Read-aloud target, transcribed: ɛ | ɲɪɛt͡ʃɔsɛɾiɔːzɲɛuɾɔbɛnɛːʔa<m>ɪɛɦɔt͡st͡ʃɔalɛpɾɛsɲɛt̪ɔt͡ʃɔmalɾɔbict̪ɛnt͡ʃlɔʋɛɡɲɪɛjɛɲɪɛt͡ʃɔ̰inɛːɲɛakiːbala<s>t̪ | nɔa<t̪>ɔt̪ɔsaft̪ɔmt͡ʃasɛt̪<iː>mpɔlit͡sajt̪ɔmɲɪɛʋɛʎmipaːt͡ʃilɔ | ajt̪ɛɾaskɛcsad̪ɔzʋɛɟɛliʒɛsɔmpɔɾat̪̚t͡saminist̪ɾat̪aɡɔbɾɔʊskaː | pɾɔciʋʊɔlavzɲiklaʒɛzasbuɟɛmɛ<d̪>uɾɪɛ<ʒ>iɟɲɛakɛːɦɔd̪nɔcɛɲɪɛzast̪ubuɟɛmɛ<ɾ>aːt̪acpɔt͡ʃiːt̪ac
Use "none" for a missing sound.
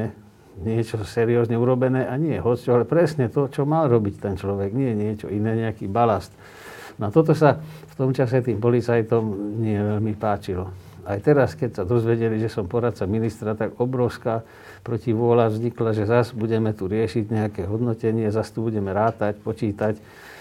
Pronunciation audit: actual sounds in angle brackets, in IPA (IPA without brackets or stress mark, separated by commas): ɲ, s, t̪, iː, t̪, ʃ, ɾ